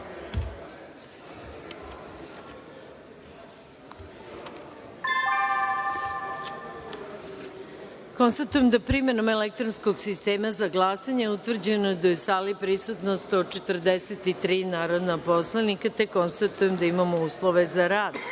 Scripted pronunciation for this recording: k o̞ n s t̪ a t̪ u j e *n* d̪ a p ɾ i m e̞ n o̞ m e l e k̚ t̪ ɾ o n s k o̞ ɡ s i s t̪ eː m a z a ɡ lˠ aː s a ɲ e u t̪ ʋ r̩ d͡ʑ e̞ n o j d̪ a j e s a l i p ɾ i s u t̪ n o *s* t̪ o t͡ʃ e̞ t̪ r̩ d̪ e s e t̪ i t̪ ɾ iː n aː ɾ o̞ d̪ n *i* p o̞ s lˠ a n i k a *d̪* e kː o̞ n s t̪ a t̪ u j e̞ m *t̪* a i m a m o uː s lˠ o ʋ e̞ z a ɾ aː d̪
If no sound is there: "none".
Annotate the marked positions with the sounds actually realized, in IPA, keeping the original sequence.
m, s, a, t̪, d̪

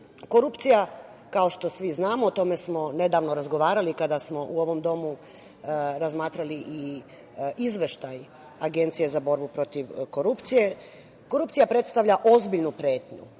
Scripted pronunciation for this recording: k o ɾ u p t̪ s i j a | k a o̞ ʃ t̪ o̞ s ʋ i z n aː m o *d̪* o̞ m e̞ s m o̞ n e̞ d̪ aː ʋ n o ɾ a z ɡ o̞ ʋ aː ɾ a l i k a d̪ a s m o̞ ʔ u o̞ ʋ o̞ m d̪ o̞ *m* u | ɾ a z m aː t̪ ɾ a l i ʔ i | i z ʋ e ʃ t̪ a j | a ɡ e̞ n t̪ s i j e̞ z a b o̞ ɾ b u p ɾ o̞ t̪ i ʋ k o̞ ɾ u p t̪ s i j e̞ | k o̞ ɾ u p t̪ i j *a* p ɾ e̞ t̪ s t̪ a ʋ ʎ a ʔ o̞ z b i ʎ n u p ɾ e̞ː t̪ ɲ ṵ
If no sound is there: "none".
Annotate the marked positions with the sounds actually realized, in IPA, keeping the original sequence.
t̪, m, a

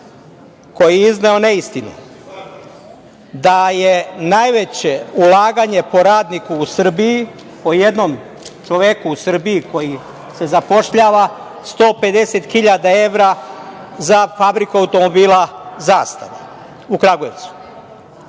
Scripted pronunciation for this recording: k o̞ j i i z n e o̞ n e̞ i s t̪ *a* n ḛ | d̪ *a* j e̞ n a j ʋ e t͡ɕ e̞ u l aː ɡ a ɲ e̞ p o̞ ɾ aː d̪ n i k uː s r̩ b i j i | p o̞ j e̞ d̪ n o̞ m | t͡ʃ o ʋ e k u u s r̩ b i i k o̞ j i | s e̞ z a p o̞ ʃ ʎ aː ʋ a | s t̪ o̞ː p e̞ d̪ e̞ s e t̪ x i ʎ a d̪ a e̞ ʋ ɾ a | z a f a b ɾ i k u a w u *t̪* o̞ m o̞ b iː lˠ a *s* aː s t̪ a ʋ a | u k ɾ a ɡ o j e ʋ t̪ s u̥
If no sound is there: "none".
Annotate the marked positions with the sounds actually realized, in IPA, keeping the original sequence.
i, a, t̪, z

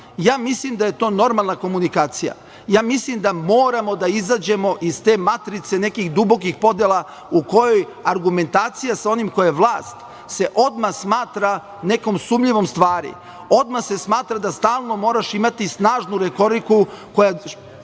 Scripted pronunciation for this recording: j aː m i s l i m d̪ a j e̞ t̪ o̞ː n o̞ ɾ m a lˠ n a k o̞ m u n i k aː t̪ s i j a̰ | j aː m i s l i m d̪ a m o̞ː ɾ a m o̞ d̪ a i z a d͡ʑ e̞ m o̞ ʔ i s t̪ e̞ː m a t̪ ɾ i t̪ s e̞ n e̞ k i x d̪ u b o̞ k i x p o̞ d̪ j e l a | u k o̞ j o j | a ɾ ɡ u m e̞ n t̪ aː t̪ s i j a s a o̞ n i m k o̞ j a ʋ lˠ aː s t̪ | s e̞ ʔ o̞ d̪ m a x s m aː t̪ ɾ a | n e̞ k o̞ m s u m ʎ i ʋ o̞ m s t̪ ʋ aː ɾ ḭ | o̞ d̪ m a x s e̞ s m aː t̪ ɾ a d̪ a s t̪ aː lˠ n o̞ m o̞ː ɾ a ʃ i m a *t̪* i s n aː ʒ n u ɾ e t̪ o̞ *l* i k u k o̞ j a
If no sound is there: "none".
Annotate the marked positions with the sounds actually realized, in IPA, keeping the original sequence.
t̪, ɾ

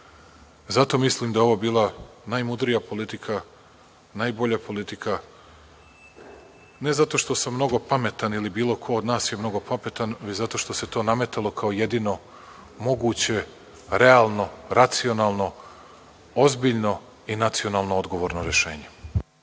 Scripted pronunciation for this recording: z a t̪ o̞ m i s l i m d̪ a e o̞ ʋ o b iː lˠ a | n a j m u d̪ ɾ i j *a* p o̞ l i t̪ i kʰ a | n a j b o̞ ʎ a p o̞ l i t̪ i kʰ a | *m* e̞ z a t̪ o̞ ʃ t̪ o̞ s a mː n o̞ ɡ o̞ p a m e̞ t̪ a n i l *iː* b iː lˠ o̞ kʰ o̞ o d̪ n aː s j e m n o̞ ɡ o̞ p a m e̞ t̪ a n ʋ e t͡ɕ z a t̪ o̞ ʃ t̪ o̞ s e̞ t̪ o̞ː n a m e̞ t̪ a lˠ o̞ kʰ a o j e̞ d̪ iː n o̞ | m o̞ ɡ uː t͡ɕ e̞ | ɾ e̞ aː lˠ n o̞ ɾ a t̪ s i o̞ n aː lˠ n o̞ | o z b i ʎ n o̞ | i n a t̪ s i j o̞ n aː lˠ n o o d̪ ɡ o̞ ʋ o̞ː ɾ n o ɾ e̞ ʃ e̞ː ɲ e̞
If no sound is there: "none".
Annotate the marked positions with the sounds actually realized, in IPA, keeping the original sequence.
a, n, i

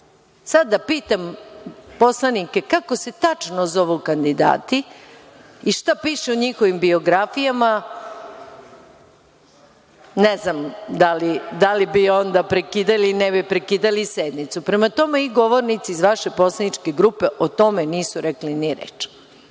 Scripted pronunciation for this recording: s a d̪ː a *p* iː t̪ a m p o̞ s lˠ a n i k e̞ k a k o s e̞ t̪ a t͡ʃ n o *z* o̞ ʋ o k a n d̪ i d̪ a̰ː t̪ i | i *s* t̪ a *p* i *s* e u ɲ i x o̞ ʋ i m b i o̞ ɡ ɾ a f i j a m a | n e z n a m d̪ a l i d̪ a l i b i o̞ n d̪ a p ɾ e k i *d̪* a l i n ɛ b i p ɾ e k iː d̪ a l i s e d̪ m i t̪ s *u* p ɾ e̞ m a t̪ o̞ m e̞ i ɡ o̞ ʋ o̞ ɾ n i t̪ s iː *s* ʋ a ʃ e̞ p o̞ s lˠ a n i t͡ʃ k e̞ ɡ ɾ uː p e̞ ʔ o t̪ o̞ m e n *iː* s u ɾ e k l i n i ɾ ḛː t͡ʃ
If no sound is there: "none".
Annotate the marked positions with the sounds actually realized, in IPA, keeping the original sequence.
p, z, ʃ, p, ʃ, d̪, u, z, iː

